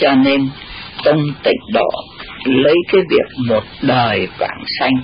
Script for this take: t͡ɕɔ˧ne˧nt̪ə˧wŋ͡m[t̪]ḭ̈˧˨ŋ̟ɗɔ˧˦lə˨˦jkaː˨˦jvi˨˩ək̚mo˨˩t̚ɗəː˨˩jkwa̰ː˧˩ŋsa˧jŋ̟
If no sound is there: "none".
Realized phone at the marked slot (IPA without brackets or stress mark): t̪